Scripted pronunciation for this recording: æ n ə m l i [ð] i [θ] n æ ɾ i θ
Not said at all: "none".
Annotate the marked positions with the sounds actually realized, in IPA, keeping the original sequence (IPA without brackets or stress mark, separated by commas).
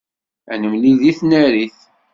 ð, θ